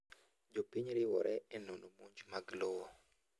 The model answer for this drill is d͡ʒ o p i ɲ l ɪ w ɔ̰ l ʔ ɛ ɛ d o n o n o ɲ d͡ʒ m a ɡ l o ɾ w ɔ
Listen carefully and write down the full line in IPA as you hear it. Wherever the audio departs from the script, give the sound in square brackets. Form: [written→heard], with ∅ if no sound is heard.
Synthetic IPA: d͡ʒ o p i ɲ [l→ɾ] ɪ w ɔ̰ [l→ɾ] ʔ ɛ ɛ [d→n] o n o [n→m] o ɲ d͡ʒ m a ɡ l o [ɾ→∅] w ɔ